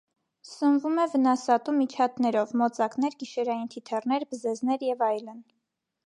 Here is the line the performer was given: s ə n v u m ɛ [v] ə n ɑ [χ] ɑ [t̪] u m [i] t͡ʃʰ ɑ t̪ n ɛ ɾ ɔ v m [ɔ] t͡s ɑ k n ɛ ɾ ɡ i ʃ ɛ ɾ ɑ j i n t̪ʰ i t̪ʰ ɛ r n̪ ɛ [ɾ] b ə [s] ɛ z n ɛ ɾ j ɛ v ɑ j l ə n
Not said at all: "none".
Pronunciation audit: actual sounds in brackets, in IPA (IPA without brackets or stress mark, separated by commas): v, s, t̪, i, ɔ, ɾ, z